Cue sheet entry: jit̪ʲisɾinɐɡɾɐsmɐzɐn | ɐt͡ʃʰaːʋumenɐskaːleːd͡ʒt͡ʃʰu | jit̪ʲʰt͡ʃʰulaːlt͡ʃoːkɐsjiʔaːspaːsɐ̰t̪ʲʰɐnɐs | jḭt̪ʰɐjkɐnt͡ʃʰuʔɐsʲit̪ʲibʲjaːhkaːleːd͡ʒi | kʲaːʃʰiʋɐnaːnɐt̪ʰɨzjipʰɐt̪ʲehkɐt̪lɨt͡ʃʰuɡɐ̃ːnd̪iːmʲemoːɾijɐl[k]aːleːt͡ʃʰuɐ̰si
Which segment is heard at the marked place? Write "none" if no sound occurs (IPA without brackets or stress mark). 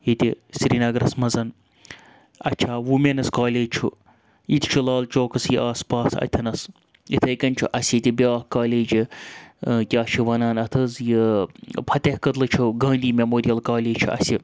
k